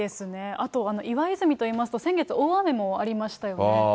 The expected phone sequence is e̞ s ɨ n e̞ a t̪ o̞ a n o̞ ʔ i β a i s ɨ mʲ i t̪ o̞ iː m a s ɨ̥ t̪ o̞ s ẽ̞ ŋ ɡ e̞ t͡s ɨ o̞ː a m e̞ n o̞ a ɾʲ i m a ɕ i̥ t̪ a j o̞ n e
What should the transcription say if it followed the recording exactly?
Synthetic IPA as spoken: e̞ s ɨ n e̞ a t̪ o̞ a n o̞ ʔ i β a i z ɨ mʲ i t̪ o̞ iː m a s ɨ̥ t̪ o̞ s ẽ̞ ŋ ɡ e̞ t͡s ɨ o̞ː a m e̞ m o̞ a ɾʲ i m a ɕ i̥ t̪ a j o̞ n e